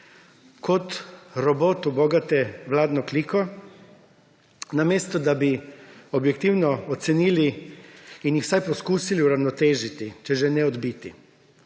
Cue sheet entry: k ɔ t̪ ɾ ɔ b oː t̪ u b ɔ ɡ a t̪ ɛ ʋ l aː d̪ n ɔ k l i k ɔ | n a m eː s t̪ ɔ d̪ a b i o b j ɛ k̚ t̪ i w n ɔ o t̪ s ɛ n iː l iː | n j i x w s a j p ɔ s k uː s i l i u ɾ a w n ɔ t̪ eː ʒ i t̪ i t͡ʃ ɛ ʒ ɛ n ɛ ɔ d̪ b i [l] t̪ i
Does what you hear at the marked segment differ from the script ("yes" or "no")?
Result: yes